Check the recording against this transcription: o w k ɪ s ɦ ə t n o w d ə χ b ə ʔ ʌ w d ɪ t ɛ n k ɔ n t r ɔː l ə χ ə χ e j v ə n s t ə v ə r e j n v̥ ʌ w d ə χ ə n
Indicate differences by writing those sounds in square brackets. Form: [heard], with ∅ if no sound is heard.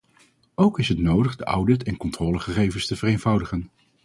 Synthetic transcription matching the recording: o w k ɪ s ɦ ə t n o w d ə χ [d] ə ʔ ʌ w d ɪ t ɛ n k ɔ n t r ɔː l ə χ ə χ e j v ə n s t ə v ə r e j n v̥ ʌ w d ə χ ə n

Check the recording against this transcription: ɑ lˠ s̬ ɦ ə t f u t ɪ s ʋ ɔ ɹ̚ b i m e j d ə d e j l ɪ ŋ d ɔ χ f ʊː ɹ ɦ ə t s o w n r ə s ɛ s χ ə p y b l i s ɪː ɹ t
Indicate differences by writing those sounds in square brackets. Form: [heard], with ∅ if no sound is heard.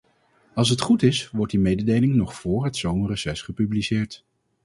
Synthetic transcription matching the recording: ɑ lˠ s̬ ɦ ə t [χ] u t ɪ s ʋ ɔ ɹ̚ [d] i m e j d ə d e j l ɪ ŋ [n] ɔ χ f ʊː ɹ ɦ ə t s o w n r ə s ɛ s χ ə p y b l i s ɪː ɹ t

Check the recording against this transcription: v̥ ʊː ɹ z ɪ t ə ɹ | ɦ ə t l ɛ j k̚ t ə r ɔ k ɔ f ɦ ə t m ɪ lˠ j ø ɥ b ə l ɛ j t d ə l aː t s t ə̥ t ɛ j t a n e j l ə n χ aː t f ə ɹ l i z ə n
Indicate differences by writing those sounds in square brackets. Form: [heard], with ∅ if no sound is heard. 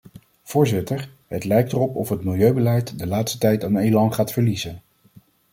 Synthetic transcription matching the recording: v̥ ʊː ɹ z ɪ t ə ɹ | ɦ ə t l ɛ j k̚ t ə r ɔ [p] ɔ f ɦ ə t m ɪ lˠ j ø ɥ b ə l ɛ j t d ə l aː t s t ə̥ t ɛ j t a n e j l [ɑ] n χ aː t f ə ɹ l i z ə n

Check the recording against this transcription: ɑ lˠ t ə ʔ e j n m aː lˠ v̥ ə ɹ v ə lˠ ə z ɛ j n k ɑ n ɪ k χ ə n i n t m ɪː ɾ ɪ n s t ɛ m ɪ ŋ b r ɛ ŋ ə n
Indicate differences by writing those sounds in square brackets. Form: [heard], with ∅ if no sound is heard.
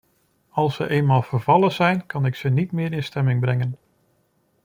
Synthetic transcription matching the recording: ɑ lˠ [s] ə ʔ e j n m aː lˠ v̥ ə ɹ v [ɑ] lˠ ə z ɛ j n k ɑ n ɪ k [s] ə n i [∅] t m ɪː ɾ ɪ n s t ɛ m ɪ ŋ b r ɛ ŋ ə n

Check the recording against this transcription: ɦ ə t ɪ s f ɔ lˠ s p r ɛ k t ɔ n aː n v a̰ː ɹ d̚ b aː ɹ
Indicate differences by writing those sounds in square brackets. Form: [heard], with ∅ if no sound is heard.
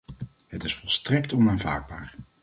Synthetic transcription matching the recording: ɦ ə t ɪ s f ɔ lˠ s [t] r ɛ k t ɔ n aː n v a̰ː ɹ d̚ b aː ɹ

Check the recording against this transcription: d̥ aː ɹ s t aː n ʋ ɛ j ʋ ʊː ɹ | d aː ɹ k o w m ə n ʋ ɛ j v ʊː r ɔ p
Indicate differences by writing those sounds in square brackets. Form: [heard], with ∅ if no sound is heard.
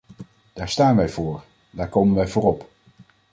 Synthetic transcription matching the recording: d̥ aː ɹ s t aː n ʋ ɛ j [v] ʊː ɹ | d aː ɹ k o w m ə n ʋ ɛ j v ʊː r ɔ p

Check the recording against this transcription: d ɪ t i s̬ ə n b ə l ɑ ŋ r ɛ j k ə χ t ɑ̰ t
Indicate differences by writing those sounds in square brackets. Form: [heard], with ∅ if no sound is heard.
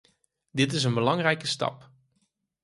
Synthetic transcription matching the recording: d ɪ t [ɪ] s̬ ə n b ə l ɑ ŋ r ɛ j k ə [s] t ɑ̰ [p]

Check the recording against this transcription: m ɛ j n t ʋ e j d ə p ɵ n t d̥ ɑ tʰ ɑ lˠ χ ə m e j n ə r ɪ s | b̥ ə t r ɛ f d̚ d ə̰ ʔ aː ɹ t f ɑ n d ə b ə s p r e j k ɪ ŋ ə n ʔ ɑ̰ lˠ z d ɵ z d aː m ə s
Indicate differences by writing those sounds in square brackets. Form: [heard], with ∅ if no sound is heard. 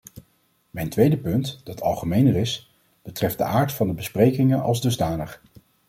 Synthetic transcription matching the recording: m ɛ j n t ʋ e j d ə p ɵ n t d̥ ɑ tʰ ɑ lˠ χ ə m e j n ə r ɪ s | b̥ ə t r ɛ f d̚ d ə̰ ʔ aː ɹ t f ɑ n d ə b ə s p r e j k ɪ ŋ ə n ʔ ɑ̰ lˠ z d ɵ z d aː [n] ə [χ]

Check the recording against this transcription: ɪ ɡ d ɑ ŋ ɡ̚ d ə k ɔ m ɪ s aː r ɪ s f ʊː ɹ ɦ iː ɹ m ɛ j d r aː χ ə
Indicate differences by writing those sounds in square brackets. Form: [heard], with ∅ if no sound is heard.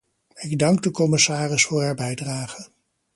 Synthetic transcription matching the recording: ɪ ɡ d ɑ ŋ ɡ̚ d ə k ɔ m ɪ s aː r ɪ s f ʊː ɹ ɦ [aː] ɹ [b] ɛ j d r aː χ ə

